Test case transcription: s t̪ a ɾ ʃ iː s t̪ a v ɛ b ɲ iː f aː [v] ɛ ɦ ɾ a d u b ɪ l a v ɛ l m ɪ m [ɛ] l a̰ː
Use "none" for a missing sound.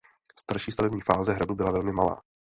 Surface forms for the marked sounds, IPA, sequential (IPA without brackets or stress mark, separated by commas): z, a